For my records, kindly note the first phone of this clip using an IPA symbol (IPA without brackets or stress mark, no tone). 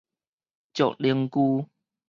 t͡ɕ